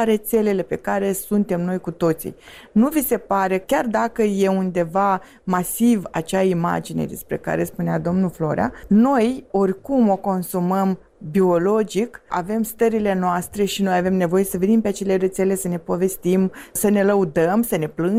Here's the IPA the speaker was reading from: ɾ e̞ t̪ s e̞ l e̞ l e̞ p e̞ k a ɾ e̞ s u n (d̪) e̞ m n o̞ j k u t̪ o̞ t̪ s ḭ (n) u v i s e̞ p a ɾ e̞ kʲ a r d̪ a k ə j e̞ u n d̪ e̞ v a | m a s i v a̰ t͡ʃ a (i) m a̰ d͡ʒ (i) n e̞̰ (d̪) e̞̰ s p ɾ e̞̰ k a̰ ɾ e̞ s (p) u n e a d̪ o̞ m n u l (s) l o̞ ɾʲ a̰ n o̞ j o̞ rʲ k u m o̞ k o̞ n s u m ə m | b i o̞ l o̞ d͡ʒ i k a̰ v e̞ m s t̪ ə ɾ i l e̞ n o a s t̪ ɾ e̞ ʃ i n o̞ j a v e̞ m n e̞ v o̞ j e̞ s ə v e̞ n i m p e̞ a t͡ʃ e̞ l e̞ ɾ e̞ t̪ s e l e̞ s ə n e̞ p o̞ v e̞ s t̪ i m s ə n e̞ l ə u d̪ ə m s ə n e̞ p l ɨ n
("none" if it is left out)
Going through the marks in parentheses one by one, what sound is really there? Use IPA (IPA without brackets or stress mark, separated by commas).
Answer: t̪, n, i, i, d̪, p, f